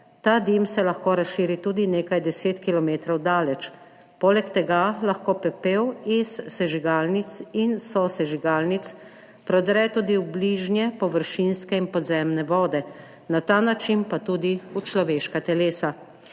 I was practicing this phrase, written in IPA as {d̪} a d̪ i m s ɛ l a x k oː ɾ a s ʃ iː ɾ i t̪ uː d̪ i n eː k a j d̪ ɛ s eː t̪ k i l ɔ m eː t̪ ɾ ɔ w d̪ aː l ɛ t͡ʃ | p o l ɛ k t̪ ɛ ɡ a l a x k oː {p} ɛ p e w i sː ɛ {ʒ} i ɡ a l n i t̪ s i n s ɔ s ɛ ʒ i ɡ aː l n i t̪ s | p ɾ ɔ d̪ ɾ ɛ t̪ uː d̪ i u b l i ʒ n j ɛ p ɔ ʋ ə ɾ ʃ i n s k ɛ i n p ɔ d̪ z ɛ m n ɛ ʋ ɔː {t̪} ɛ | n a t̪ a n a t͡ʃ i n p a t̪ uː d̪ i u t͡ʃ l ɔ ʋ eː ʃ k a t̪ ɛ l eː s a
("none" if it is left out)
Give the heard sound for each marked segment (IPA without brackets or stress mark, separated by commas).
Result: t̪, p, ʒ, d̪